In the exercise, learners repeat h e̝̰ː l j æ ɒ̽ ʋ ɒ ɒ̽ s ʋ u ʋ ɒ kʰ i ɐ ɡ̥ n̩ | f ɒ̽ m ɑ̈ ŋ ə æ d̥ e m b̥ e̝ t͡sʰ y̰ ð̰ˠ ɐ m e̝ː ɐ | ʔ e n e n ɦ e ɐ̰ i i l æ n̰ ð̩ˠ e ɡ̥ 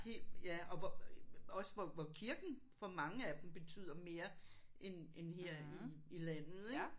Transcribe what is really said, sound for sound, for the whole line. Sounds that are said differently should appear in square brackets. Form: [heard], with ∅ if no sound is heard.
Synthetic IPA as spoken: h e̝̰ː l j æ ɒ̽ ʋ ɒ ɒ̽ s ʋ [ɒ] ʋ ɒ kʰ i ɐ ɡ̥ n̩ | f ɒ̽ m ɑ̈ ŋ ə æ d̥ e m b̥ e̝ t͡sʰ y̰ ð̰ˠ ɐ m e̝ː ɐ | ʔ e n e n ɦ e ɐ̰ i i l æ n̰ ð̩ˠ e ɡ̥

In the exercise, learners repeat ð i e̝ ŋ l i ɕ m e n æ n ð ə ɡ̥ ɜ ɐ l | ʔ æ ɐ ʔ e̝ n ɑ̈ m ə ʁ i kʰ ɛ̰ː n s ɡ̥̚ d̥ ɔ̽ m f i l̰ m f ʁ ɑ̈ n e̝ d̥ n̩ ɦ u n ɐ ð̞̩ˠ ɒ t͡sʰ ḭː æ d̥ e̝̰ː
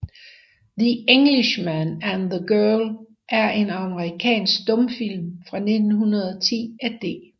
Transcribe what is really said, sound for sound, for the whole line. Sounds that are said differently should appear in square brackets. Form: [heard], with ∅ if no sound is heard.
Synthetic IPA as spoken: ð i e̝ ŋ l i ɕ m [æ] n æ n ð ə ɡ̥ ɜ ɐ l | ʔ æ ɐ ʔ e̝ n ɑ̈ m ə ʁ i kʰ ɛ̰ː n s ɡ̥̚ d̥ ɔ̽ m f i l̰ m f ʁ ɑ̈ n e̝ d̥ n̩ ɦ u n ɐ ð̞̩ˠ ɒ t͡sʰ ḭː æ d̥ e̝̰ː

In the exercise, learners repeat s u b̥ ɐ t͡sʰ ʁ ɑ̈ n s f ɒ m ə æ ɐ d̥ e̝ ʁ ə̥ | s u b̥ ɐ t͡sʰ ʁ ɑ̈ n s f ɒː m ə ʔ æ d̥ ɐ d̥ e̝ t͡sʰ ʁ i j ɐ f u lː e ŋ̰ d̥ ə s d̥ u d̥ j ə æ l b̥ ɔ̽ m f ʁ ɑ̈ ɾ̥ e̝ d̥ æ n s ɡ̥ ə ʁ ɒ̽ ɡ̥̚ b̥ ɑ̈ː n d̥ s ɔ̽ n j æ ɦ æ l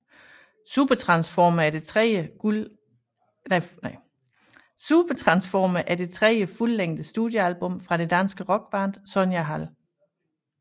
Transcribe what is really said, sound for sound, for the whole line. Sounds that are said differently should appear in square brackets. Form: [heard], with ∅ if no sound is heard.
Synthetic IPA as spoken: s u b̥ ɐ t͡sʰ ʁ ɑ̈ n s f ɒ m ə æ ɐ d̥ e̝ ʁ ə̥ | s u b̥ ɐ t͡sʰ ʁ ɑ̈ n s f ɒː m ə ʔ æ [∅] ɐ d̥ e̝ t͡sʰ ʁ [ɛ] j [ə] f u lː e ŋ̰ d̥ ə s d̥ u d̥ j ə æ l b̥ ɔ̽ m f ʁ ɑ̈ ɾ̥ e̝ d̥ æ n s ɡ̥ ə ʁ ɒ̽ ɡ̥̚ b̥ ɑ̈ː n d̥ s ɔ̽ n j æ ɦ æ l

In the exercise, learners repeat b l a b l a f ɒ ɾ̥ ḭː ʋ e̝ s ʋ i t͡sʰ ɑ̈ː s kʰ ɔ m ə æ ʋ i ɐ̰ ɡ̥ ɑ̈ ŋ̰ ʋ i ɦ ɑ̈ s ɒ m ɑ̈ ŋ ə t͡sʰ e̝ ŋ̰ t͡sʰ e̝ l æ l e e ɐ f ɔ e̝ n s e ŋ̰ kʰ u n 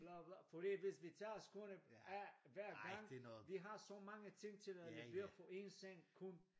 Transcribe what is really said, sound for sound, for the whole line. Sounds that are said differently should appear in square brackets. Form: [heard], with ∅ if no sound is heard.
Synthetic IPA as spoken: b l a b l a f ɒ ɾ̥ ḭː ʋ e̝ s ʋ i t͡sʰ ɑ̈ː s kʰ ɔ [n] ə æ ʋ [æ] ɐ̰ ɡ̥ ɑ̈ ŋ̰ ʋ i ɦ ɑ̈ s ɒ m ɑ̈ ŋ ə t͡sʰ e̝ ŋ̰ t͡sʰ e̝ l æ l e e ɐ f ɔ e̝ n s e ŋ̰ kʰ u n

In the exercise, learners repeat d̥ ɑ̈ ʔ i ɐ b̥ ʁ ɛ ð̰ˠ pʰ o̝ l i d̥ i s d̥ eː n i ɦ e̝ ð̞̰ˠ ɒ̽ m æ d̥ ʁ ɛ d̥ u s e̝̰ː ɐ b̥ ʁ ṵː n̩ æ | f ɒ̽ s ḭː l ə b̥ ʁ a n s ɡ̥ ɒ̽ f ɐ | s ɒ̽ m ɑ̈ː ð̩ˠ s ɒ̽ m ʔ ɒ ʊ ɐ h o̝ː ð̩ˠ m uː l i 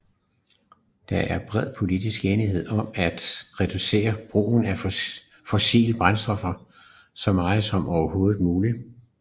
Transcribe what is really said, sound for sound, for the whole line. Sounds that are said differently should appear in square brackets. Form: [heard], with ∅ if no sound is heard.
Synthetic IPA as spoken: d̥ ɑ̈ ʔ [æ] ɐ b̥ ʁ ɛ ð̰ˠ pʰ o̝ l i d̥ i s [ɡ̥] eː n i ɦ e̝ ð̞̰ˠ ɒ̽ m æ d̥ ʁ ɛ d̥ u s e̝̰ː ɐ b̥ ʁ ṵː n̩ æ | f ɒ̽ s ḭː l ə b̥ ʁ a n s [d̥] ɒ̽ f ɐ | s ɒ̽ m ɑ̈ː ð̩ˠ s ɒ̽ m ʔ ɒ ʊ ɐ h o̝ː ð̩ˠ m uː l i

